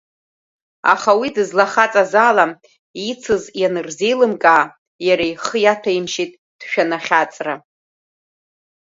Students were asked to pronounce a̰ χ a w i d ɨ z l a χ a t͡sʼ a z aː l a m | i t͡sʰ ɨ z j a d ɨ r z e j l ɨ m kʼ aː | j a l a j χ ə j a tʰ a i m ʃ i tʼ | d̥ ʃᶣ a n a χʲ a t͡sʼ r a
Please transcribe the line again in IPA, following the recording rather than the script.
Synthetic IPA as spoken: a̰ χ a w i d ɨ z l a χ a t͡sʼ a z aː l a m | i t͡sʰ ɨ z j a n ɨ r z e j l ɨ m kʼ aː | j a ɾ a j χ ə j a tʰ a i m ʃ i tʼ | d̥ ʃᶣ a n a χʲ a t͡sʼ r a

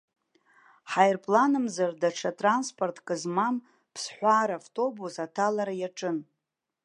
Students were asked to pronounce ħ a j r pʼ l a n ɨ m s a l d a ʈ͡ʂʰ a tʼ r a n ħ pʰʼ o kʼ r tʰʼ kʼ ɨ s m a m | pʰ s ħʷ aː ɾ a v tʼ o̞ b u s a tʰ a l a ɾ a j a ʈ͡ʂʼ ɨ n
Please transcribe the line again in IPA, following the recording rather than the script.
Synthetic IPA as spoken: ħ a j r pʼ l a n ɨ m z a r d a ʈ͡ʂʰ a tʼ r a n s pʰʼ o r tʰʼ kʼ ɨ z m a m | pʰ s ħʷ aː ɾ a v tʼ o̞ b u s a tʰ a l a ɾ a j a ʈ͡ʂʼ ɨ n

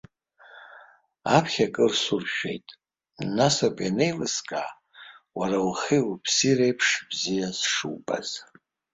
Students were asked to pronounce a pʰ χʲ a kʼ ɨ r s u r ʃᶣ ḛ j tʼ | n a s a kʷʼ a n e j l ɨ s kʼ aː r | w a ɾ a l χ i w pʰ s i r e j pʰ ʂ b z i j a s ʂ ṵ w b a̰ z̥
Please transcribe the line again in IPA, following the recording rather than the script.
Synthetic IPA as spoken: a pʰ χʲ a kʼ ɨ r s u r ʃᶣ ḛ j tʼ | n a s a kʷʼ a n e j l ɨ s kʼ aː | w a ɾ a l χ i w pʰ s i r e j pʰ ʂ b z i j a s ʂ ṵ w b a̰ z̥

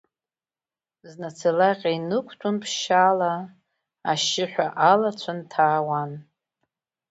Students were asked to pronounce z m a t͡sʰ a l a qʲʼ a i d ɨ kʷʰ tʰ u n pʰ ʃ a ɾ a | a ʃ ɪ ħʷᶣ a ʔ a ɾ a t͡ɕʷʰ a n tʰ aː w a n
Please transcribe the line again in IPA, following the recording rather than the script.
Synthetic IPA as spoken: z n a t͡sʰ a l a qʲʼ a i n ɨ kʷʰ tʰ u n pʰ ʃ a l a | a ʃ ɪ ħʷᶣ a ʔ a l a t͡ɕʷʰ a n tʰ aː w a n

